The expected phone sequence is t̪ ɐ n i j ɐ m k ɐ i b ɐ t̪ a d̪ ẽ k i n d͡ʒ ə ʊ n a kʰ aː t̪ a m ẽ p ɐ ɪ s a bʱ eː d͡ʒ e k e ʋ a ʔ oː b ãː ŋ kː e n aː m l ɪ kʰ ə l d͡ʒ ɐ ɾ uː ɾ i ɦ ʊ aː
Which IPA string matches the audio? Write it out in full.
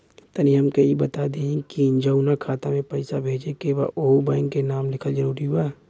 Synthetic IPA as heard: t̪ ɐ n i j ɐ m k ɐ i b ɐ t̪ a d̪ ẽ k i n d͡ʒ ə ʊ n a kʰ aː t̪ a m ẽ p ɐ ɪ s a bʱ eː d͡ʒ e k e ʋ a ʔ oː b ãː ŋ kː e n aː m l ɪ kʰ ə l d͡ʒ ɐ ɾ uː ɾ i ɦ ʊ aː